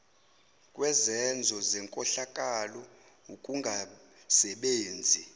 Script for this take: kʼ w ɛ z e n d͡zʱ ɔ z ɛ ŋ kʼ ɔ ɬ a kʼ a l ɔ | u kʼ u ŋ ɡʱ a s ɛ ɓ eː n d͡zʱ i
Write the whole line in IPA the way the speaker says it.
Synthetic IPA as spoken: kʼ w ɛ z ɛ n d͡zʱ ɔ z ɛ ŋ kʼ ɔ ɬ a kʼ a l ɔ | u kʼ u ŋ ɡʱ a s ɛ ɓ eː n d͡zʱ i